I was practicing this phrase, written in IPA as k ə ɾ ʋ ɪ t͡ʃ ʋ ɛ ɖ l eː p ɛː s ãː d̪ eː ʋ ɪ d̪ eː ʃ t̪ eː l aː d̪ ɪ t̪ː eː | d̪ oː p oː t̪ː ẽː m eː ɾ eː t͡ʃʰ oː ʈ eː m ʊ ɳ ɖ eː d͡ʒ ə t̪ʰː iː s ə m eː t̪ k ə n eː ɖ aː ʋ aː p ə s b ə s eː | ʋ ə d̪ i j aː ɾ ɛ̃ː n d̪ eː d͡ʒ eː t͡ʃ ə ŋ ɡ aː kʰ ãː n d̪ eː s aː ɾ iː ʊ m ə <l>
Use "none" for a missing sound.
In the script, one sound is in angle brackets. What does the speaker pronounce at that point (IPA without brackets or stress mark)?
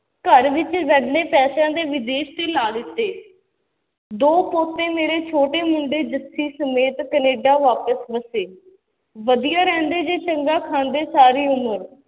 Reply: ɾ